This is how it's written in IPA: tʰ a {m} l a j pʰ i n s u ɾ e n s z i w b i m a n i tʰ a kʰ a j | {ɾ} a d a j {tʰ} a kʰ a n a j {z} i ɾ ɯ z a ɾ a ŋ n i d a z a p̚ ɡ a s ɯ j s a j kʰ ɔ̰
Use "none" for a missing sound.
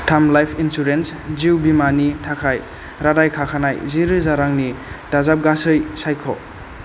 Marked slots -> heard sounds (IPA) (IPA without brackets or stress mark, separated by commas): m, ɾ, kʰ, z